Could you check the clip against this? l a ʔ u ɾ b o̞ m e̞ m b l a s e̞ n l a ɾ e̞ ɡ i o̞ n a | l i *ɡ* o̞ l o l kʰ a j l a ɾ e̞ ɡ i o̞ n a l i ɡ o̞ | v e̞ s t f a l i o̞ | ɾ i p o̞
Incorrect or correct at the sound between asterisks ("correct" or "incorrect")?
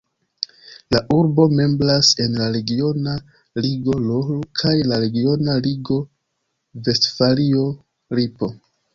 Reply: correct